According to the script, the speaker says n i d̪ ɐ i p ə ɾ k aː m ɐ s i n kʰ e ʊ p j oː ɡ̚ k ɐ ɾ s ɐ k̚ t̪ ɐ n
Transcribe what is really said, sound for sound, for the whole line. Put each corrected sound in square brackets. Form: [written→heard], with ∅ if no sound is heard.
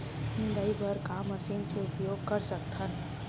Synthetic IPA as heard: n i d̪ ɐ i [p→b] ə ɾ k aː m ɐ s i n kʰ e ʊ p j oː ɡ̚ k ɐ ɾ s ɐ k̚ t̪ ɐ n